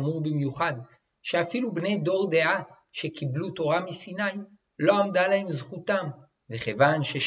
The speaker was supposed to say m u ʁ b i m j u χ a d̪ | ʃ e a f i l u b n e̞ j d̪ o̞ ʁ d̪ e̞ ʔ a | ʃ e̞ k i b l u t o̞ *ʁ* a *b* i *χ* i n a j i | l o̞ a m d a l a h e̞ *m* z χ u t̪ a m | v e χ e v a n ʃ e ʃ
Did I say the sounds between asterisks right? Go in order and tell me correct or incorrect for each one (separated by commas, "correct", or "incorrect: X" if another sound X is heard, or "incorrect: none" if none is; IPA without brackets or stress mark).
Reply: correct, incorrect: m, incorrect: s, correct